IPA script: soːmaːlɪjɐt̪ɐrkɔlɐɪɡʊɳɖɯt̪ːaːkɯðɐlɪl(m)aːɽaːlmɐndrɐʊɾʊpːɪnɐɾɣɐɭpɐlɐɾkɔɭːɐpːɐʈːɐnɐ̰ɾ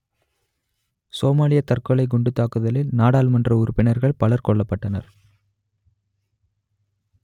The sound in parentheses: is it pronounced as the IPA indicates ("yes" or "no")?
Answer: no